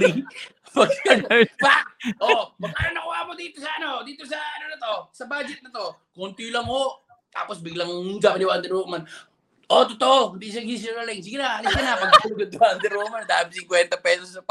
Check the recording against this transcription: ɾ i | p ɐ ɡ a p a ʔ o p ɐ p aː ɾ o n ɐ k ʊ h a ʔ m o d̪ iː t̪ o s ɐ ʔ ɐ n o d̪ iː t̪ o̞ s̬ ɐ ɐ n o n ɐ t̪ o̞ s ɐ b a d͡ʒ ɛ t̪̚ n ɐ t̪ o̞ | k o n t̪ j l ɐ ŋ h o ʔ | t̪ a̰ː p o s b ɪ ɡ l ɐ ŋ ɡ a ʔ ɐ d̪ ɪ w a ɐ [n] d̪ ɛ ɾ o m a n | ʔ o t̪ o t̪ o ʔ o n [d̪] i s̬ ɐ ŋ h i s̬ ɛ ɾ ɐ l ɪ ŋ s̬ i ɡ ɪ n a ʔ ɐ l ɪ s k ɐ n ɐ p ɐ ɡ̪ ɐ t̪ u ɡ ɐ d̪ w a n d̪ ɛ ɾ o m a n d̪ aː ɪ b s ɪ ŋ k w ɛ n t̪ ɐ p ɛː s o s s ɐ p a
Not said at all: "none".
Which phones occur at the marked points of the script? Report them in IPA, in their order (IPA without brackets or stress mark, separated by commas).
n, d̪